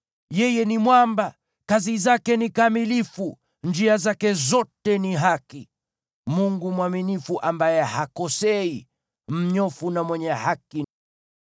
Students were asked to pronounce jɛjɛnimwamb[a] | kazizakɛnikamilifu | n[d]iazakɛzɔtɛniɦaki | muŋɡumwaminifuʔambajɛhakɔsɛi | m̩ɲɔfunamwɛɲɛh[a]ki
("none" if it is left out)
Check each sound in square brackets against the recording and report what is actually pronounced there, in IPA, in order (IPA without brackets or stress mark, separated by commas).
a, d͡ʒ, a